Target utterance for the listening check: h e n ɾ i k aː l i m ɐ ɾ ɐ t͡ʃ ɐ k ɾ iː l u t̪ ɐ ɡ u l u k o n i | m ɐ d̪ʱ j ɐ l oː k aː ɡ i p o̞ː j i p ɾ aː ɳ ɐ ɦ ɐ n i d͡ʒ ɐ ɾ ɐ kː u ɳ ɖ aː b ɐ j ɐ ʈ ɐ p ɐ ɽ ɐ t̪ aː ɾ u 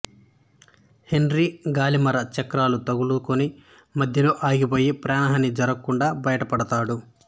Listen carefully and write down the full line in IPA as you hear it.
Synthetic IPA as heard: h e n ɾ i ɡ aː l i m ɐ ɾ ɐ t͡ʃ ɐ k ɾ aː l u t̪ ɐ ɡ u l u k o n i | m ɐ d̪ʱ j ɐ l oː ʔ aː ɡ i p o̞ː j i p ɾ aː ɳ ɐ ɦ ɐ n i d͡ʒ ɐ ɾ ɐ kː u ɳ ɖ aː b ɐ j ɐ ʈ ɐ p ɐ ɽ ɐ t̪ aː ɽ u